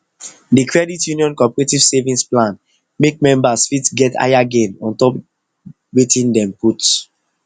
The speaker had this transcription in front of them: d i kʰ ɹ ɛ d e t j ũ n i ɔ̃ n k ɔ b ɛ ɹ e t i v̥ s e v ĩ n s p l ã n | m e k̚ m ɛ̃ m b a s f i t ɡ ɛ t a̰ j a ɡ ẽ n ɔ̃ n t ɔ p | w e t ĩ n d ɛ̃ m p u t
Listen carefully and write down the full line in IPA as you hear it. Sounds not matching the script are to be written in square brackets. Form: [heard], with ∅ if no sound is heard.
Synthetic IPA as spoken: d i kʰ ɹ ɛ d [i] t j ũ n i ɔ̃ n k ɔ [p] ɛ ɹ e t i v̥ s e v ĩ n s p l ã n | m e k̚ m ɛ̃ m b a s f i t ɡ ɛ t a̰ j a ɡ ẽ n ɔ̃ n t ɔ p | w e t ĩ n d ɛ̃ m p u t